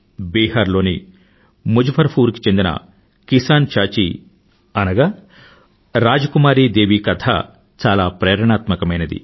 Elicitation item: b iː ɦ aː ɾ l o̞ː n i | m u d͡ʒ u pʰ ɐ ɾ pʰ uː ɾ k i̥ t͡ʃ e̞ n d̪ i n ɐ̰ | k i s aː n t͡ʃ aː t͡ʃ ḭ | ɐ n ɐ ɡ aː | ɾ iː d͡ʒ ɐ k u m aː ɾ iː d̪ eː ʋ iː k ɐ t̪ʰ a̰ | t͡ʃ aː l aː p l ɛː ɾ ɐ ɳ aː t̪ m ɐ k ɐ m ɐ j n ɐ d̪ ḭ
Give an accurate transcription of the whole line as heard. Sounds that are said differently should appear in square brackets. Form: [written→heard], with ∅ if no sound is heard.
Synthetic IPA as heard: b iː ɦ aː ɾ l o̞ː n i | m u d͡ʒ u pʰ ɐ ɾ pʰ uː ɾ k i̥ t͡ʃ e̞ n d̪ i n ɐ̰ | k i s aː n t͡ʃ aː t͡ʃ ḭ | ɐ n ɐ ɡ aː | ɾ [iː→aː] d͡ʒ ɐ k u m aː ɾ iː d̪ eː ʋ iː k ɐ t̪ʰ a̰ | t͡ʃ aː l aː p [l→ɾ] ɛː ɾ ɐ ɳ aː t̪ m ɐ k ɐ m ɐ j n ɐ d̪ ḭ